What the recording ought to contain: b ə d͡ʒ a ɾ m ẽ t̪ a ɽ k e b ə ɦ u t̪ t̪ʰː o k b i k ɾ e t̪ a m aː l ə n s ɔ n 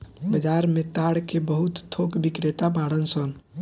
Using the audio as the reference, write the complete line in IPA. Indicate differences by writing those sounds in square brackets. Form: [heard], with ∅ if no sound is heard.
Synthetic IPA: b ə d͡ʒ a ɾ m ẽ t̪ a ɽ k e b ə ɦ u t̪ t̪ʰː o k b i k ɾ e t̪ a [b] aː [ɽ] ə n s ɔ n